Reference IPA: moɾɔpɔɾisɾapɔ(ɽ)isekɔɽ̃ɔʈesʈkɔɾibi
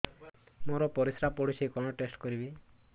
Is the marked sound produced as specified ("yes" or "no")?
yes